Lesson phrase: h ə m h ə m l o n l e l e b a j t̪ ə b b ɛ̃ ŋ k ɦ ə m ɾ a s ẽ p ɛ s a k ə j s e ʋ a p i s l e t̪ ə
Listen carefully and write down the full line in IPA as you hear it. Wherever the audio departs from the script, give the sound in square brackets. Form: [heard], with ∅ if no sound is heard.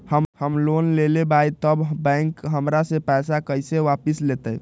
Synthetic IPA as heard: h ə m h ə m l o n l e l e b a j t̪ ə b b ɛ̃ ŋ k ɦ ə m ɾ a s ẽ p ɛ s a k ə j s e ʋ a p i s l e t̪ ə